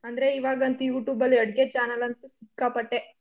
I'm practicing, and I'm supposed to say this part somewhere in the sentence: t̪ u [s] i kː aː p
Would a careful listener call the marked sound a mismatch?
no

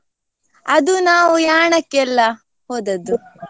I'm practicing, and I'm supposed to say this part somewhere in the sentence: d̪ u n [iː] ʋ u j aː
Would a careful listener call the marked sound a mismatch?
yes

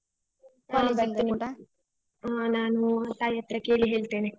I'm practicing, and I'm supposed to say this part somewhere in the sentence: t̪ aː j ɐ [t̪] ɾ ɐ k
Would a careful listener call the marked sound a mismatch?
no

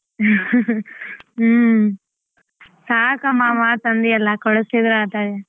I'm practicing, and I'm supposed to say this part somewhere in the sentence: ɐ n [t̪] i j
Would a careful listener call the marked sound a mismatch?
yes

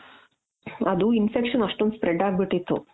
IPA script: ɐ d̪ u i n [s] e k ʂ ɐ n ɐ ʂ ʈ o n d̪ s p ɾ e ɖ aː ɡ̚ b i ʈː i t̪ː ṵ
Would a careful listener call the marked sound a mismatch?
yes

